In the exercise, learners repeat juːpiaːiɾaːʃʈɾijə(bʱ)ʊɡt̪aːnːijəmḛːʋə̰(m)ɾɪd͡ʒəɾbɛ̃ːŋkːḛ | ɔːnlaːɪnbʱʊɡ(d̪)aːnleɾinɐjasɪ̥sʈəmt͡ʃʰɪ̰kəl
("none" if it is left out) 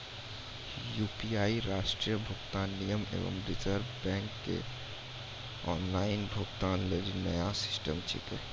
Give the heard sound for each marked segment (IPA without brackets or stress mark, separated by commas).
bʱ, m, t̪